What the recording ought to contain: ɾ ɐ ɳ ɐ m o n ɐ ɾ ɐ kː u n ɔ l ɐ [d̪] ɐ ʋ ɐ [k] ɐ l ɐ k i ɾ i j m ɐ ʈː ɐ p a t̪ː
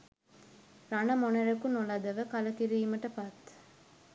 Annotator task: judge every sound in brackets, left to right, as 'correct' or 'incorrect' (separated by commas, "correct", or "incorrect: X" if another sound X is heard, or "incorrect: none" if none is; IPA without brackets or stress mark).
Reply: correct, correct